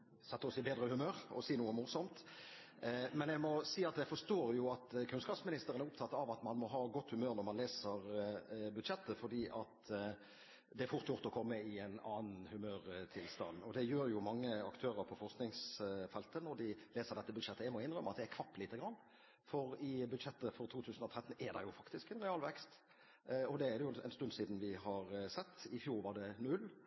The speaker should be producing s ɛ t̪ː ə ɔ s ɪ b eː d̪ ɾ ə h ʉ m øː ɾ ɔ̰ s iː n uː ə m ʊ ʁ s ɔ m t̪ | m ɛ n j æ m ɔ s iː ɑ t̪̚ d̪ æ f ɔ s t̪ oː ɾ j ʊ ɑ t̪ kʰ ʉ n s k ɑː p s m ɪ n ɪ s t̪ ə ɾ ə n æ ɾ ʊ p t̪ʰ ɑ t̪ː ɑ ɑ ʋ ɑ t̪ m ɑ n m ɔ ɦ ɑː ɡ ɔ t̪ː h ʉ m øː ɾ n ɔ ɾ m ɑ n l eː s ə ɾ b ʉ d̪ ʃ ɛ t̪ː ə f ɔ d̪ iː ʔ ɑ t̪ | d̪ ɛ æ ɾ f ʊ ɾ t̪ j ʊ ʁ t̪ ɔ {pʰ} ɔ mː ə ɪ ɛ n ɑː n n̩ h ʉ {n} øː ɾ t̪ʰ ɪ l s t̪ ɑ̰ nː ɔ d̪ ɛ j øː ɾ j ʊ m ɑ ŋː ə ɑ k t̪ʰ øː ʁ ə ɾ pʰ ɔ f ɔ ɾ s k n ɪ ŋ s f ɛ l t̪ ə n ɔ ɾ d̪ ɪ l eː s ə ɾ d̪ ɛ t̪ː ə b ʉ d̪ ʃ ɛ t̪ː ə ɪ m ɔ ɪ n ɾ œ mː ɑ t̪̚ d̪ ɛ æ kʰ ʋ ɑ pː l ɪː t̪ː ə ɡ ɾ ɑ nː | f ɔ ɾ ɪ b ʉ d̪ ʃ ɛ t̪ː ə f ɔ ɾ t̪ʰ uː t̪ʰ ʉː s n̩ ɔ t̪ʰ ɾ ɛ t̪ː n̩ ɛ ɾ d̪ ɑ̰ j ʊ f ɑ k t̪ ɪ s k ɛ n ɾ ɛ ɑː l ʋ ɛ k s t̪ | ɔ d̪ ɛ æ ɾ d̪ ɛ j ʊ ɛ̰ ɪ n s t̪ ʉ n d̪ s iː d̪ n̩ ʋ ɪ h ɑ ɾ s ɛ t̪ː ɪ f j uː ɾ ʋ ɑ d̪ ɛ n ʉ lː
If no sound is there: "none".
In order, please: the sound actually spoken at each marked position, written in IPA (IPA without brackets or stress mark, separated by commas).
kʰ, m